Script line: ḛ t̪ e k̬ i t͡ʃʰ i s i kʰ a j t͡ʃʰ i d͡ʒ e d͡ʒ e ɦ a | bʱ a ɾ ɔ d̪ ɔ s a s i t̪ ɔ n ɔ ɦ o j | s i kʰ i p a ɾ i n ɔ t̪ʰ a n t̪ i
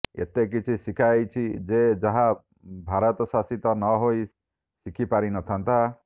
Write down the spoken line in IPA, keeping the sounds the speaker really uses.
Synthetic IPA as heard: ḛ t̪ e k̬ i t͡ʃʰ i s i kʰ a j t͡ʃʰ i d͡ʒ e d͡ʒ a ɦ a | bʱ a ɾ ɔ t̪ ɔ s a s i t̪ ɔ n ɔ ɦ o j | s i kʰ i p a ɾ i n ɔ t̪ʰ a n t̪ a